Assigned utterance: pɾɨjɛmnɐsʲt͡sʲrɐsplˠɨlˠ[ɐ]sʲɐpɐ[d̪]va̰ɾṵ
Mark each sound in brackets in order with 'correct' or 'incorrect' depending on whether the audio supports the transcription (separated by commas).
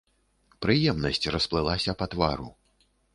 incorrect, incorrect